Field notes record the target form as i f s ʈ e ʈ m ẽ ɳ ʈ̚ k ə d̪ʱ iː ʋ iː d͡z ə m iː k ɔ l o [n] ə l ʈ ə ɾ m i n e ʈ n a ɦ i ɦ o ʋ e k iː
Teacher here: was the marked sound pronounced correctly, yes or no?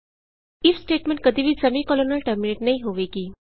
yes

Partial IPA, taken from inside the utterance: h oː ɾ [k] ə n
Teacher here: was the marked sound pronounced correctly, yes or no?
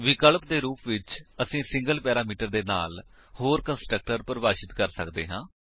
yes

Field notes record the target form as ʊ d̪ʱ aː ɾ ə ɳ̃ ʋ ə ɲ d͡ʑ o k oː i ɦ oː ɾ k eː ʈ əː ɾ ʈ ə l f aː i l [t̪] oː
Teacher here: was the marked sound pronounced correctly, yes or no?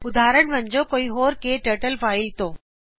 yes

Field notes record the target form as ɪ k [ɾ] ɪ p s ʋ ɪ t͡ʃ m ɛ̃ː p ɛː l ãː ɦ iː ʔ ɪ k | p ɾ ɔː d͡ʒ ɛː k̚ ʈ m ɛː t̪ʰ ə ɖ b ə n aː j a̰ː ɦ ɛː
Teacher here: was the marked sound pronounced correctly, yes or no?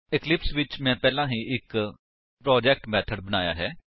no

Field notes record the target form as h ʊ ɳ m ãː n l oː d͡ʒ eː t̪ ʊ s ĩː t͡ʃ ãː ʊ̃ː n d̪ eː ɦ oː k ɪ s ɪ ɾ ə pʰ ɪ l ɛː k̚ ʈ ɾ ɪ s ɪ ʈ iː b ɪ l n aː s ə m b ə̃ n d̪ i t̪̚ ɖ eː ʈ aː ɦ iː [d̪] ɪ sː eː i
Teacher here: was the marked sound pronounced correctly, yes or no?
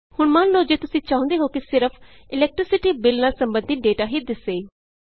yes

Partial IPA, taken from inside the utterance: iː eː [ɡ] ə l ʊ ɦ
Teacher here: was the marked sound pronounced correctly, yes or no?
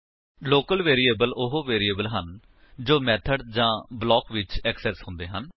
no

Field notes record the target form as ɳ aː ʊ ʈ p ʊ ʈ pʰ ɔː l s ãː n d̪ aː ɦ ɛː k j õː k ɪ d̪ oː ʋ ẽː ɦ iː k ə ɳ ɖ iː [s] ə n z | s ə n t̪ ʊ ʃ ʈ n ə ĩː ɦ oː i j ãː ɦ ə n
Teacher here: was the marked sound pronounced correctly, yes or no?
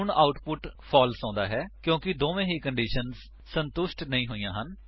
no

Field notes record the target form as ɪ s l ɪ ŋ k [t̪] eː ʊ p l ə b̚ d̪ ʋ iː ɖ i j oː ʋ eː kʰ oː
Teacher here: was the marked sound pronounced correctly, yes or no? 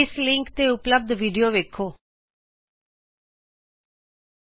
yes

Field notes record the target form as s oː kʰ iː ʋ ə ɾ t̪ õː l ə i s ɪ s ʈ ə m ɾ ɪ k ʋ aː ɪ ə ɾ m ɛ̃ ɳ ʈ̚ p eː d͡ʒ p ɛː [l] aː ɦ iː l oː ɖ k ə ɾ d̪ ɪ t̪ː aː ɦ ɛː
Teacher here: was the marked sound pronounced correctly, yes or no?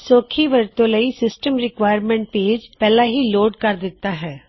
yes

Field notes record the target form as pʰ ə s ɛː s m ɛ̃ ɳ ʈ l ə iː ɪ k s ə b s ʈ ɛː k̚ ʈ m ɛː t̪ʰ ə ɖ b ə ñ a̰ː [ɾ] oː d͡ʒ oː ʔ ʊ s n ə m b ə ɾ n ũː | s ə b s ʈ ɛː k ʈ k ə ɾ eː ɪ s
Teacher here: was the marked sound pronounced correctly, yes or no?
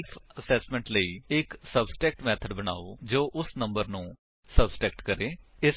no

